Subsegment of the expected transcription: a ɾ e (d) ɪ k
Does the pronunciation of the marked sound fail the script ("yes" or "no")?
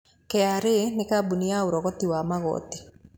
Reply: yes